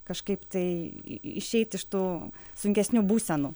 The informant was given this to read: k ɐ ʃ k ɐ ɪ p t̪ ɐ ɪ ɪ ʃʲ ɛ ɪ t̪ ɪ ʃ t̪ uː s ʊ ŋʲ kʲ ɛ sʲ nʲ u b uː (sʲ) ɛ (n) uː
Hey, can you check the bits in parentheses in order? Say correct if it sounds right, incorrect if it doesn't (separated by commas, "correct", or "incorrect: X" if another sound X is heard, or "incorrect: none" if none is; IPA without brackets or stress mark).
correct, correct